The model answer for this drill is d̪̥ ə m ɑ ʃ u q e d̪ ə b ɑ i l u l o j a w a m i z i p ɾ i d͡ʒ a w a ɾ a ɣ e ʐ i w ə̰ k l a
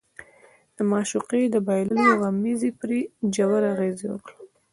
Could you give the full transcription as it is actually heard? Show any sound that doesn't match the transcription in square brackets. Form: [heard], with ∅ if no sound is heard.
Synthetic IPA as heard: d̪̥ ə m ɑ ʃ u q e d̪ ə b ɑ [j] l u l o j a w a m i z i p ɾ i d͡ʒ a w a ɾ a ɣ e [z] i w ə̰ k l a